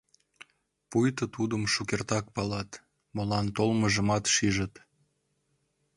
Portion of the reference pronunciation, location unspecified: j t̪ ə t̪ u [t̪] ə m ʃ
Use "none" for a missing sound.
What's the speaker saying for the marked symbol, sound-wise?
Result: d̪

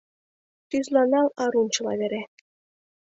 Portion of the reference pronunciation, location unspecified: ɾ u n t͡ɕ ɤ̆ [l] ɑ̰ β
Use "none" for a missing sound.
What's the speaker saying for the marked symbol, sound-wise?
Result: l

